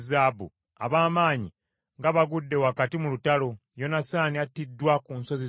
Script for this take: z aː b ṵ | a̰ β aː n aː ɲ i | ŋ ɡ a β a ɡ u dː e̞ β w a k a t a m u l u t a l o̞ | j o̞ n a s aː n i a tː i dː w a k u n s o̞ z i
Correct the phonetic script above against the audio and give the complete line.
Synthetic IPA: z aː b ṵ | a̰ β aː m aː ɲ i | ŋ ɡ a β a ɡ u dː e̞ w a k a t i m u l u t a l o̞ | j o̞ n a s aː n i a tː i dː w a k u n s o̞ z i